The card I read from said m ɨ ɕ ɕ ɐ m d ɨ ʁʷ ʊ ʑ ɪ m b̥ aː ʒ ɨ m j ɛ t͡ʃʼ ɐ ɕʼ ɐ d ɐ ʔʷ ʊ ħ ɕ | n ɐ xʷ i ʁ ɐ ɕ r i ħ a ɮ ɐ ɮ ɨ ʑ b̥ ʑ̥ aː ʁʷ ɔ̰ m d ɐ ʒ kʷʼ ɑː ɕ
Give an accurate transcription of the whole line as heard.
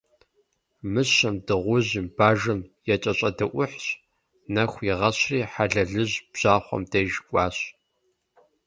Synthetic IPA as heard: m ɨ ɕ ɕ ɐ m d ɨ ʁʷ ʊ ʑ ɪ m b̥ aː ʒ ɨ m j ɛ t͡ʃʼ ɐ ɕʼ ɐ d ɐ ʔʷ ʊ ħ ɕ | n ɐ xʷ i ʁ ɐ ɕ r iː ħ a ɮ ɐ ɮ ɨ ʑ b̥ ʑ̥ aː χʷ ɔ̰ m d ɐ ʒ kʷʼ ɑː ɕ